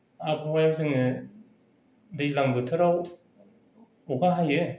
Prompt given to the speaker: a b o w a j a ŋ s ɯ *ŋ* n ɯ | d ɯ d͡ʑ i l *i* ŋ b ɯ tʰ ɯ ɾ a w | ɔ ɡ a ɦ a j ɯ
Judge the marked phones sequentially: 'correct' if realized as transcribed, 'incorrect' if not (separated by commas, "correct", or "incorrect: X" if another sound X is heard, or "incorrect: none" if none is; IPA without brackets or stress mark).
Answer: correct, incorrect: a